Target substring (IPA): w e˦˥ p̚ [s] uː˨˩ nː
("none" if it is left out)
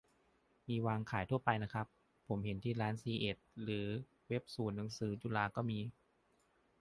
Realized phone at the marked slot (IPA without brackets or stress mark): s